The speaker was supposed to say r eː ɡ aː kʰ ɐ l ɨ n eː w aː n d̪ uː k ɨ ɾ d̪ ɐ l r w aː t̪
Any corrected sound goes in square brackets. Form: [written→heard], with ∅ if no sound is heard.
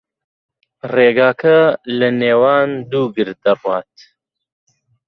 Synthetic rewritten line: r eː ɡ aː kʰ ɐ l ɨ n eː w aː n d̪ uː [k→ɡ] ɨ ɾ d̪ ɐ [l→∅] r w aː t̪